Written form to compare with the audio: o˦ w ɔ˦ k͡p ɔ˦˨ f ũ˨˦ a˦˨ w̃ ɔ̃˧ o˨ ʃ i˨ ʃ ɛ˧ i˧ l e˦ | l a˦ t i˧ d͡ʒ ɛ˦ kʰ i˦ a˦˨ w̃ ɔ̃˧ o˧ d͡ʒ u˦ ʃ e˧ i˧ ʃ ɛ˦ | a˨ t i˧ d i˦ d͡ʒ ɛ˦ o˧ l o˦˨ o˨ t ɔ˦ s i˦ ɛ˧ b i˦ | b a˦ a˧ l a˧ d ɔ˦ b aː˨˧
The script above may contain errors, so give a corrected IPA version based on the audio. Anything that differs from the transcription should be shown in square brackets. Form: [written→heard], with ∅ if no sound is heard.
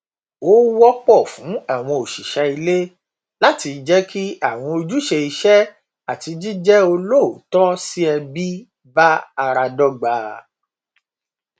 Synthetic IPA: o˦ w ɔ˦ k͡p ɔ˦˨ f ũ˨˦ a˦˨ w̃ ɔ̃˧ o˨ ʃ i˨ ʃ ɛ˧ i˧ l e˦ | l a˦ t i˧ d͡ʒ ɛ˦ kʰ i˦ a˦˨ w̃ ɔ̃˧ o˧ d͡ʒ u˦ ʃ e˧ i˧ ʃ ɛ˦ | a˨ t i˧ [d→d͡ʒ] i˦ d͡ʒ ɛ˦ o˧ l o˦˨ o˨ t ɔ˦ s i˦ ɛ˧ b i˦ | b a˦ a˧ [l→ɾ] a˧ d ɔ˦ [b→ɡ͡b] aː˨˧